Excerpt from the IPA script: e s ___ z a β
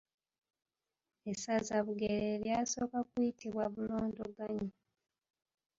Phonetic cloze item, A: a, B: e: A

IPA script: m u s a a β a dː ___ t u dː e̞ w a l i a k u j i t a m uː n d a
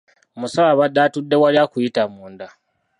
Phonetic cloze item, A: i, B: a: B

